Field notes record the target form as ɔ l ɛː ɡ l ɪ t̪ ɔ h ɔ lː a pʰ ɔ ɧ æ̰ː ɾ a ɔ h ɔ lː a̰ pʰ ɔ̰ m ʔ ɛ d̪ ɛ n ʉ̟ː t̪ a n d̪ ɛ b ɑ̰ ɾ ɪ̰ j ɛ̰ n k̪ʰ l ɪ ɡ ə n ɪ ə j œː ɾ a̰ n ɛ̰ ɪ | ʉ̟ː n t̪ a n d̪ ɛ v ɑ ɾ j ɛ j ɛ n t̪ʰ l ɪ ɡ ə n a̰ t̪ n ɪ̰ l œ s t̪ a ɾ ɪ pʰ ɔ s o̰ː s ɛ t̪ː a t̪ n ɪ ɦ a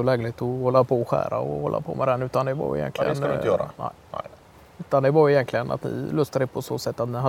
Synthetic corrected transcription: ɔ l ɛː ɡ l ɪ t̪ ɔ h ɔ lː a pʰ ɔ ɧ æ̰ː ɾ a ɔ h ɔ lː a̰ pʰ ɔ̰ m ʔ ɛ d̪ ɛ n ʉ̟ː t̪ a n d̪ ɛ v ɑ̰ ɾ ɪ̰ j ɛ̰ n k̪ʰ l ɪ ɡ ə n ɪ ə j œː ɾ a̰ n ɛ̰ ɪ | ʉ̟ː t̪ a n d̪ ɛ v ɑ ɾ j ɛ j ɛ n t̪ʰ l ɪ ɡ ə n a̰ t̪ n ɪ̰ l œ s t̪ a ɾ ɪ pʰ ɔ s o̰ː s ɛ t̪ː a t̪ n ɪ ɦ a